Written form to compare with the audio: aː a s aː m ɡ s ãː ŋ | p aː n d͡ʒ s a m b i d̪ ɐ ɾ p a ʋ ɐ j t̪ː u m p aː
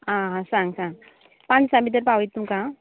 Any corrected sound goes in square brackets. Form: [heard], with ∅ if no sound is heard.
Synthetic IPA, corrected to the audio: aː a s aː [ŋ] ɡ s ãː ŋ | p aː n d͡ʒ s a m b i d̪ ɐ ɾ p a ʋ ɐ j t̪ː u m [k] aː